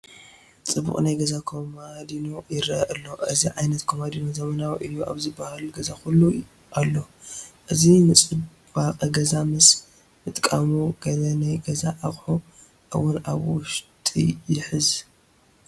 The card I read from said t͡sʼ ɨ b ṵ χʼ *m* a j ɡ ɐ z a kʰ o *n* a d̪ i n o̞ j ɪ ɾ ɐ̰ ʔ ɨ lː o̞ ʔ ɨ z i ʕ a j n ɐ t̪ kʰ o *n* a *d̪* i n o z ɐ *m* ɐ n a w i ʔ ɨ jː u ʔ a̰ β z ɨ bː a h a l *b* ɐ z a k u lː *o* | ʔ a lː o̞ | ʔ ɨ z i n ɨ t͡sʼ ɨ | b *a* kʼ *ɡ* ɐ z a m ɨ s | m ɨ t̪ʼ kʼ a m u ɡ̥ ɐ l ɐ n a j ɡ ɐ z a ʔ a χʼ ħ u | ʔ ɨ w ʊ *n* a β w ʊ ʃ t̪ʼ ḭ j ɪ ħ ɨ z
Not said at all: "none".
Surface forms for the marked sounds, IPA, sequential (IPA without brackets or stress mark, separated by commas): n, m, m, d̪, m, ɡ, u, a, ɡ, n